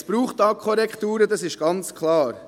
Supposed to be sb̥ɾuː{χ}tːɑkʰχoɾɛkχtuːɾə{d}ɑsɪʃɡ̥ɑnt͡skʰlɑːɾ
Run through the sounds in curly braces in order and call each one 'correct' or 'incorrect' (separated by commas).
correct, correct